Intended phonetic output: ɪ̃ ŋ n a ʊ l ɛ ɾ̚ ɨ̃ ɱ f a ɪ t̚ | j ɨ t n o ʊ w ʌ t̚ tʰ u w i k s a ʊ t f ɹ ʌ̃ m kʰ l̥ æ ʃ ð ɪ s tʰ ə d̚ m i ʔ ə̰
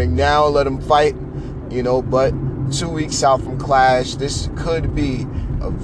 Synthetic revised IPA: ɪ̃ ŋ n a ʊ l ɛ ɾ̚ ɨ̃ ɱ f a ɪ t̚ | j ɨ n o ʊ b ʌ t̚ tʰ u w i k s a ʊ t f ɹ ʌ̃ m kʰ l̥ æ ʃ ð ɪ s kʰ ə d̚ b i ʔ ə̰